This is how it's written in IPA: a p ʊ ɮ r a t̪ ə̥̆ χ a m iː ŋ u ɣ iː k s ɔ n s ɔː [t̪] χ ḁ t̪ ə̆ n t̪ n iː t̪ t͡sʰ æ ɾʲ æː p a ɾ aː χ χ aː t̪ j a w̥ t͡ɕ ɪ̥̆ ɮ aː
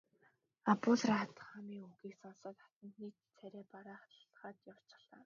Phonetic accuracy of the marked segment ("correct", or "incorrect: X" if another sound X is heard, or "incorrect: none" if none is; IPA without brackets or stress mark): correct